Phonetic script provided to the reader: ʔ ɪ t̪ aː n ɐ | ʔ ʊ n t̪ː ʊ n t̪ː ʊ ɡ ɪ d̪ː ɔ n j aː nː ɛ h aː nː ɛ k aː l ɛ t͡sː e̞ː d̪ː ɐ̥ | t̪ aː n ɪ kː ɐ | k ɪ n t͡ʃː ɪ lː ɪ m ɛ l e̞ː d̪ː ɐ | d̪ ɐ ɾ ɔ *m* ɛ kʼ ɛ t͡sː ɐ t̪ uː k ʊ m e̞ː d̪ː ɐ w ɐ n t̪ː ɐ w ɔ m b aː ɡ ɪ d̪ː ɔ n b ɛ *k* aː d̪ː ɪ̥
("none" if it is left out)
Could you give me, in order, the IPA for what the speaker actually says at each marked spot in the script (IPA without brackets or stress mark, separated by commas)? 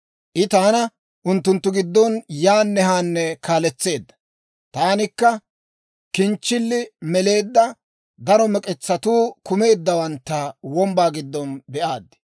m, ʔ